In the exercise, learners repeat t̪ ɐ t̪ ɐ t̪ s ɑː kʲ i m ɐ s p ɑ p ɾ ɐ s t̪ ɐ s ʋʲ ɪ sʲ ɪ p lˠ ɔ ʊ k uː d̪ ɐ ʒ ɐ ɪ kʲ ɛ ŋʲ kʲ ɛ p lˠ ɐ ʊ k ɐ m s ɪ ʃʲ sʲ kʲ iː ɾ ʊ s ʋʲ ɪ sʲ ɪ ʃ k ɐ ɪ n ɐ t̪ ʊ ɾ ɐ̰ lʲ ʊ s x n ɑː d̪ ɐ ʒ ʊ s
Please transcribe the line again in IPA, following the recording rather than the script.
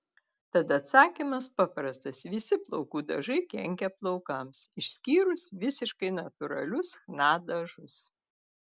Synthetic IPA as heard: t̪ ɐ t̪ ɐ t̪ s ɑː kʲ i m ɐ s p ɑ p ɾ ɐ s t̪ ɐ s ʋʲ ɪ sʲ ɪ p lˠ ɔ ʊ k uː d̪ ɐ ʒ ɐ ɪ kʲ ɛ ŋʲ kʲ ɛ p lˠ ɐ ʊ k ɐ m s ɪ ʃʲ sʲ kʲ iː ɾ ʊ s ʋʲ ɪ sʲ ɪ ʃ k ɐ ɪ n ɐ t̪ ʊ ɾ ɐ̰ lʲ ʊ s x n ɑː d̪ ɐ ʒ ʊ s